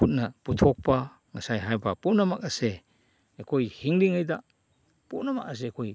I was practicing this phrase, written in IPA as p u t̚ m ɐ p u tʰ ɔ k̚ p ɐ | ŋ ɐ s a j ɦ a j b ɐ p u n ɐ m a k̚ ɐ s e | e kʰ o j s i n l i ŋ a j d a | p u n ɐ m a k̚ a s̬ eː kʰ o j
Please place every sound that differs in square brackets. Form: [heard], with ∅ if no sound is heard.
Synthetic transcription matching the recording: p u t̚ [n] ɐ p u tʰ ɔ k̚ p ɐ | ŋ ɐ s a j ɦ a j b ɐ p u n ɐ m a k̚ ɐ s e | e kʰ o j [h] i [ŋ] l i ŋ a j d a | p u n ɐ m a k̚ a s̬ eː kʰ o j